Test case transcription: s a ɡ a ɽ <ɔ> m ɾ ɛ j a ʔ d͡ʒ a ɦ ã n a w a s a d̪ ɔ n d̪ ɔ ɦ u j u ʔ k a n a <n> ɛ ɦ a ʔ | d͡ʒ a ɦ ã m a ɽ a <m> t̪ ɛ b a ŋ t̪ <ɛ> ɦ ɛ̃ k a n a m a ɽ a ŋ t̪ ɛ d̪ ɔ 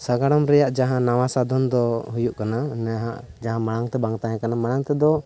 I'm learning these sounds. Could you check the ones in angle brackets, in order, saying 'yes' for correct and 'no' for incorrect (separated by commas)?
yes, yes, no, no